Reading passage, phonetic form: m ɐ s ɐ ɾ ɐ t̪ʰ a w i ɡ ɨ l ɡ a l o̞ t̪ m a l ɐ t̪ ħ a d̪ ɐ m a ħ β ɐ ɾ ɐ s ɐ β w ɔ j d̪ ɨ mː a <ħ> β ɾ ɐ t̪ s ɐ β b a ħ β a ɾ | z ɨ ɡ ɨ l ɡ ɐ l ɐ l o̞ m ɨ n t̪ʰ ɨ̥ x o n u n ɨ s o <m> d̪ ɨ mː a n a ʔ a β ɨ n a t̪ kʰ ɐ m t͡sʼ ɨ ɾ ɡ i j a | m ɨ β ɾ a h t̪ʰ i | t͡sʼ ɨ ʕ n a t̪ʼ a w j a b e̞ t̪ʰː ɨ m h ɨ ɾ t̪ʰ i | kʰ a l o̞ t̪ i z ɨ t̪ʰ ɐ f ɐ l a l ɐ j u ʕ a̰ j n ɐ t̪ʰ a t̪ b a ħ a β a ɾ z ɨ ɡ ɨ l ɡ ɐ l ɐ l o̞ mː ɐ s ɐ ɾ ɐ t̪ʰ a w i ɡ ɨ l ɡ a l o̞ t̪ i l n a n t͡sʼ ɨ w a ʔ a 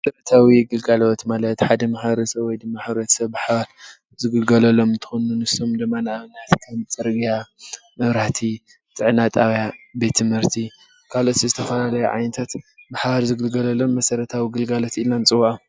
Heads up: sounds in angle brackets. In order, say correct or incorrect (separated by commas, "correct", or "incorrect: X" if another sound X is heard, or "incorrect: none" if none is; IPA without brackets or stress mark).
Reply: correct, correct